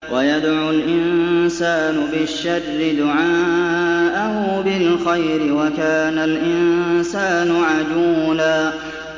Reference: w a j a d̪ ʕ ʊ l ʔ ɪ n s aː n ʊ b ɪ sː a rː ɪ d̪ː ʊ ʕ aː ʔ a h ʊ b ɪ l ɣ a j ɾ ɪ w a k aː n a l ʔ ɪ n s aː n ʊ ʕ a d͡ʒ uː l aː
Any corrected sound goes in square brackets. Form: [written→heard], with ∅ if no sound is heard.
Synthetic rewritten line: w a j a d̪ ʕ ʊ l ʔ ɪ n s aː n ʊ b ɪ [sː→ʃː] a rː ɪ [d̪ː→d̪] ʊ ʕ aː ʔ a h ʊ b ɪ l [ɣ→x] a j ɾ ɪ w a k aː n a l ʔ ɪ n s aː n ʊ ʕ a d͡ʒ uː l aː